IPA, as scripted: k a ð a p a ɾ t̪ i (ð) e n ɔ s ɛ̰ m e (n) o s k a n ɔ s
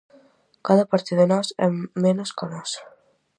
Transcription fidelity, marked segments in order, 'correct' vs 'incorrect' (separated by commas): correct, correct